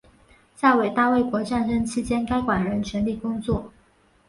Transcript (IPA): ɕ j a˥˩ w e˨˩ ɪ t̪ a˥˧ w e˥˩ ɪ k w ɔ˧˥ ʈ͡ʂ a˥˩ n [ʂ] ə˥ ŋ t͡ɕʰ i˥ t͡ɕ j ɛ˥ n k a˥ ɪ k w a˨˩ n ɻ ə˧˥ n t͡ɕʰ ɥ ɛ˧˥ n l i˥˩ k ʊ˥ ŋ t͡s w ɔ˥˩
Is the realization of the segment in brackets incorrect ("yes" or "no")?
no